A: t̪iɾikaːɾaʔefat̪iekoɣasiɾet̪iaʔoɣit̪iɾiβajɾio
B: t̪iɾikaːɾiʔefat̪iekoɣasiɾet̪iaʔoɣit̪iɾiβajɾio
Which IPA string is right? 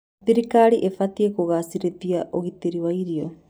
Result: B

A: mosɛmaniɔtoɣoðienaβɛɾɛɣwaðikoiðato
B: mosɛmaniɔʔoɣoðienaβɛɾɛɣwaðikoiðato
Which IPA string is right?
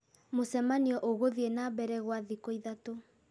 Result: B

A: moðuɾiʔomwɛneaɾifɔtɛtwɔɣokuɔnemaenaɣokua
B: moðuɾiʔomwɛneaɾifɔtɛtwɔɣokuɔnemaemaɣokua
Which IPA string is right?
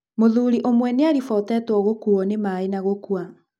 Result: A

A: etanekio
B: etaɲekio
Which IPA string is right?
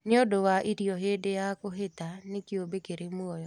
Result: A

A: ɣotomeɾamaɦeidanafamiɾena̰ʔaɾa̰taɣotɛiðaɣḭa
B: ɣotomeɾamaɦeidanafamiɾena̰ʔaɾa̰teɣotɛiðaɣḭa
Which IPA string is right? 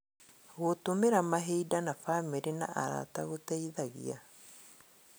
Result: A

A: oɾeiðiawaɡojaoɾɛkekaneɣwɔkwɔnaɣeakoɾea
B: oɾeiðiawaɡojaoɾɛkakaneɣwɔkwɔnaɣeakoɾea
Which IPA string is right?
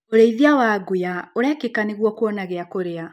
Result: A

